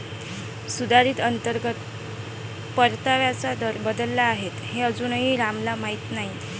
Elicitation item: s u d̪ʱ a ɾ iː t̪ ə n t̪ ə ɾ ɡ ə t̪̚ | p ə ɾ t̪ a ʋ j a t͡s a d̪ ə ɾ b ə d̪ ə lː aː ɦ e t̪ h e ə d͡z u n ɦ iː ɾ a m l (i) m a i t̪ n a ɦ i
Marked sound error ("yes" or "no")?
yes